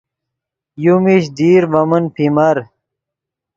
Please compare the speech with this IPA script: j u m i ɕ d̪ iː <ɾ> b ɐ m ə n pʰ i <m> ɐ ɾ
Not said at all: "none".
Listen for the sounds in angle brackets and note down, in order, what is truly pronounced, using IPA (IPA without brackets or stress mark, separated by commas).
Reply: ɾ, m